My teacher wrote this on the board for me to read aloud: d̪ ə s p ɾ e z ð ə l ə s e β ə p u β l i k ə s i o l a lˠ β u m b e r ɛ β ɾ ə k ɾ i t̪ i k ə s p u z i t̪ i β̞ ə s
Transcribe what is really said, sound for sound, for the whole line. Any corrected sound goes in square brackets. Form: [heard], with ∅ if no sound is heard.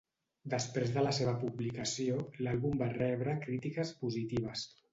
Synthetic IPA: d̪ ə s p ɾ e z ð ə l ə s e β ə p u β l i k ə s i o l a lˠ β u m b [a] r ɛ β ɾ ə k ɾ i t̪ i k ə s p u z i t̪ i β̞ ə s